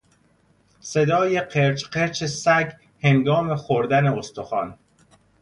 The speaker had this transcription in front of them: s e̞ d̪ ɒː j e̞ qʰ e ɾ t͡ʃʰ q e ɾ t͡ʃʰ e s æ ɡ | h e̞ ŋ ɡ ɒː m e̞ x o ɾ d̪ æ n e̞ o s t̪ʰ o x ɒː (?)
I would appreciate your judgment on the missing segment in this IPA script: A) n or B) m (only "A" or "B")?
A